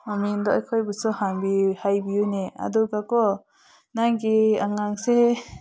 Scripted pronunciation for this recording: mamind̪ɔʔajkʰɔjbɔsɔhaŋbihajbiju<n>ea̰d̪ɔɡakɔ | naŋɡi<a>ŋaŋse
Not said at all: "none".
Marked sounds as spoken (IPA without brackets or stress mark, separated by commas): n, a